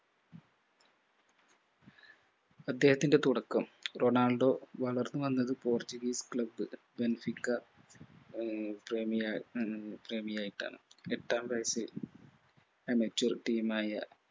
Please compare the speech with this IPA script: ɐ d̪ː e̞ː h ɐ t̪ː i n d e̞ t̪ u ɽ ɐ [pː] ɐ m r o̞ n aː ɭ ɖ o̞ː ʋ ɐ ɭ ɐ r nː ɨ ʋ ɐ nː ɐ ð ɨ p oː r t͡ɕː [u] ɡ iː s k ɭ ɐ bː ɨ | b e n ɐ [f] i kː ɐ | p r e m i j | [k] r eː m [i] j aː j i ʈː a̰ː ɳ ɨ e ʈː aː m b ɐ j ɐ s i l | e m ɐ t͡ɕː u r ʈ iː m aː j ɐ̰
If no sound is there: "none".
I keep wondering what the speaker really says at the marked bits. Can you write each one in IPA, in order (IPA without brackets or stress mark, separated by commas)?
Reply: kː, u, f, p, i